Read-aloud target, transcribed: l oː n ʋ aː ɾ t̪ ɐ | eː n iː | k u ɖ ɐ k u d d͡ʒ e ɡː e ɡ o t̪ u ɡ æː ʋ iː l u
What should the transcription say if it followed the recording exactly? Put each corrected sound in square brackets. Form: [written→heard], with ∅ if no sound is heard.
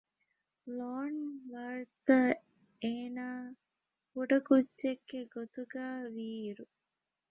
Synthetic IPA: l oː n ʋ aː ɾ t̪ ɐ | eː n [iː→aː] | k u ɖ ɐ k u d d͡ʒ e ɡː e ɡ o t̪ u ɡ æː ʋ iː [l→ɾ] u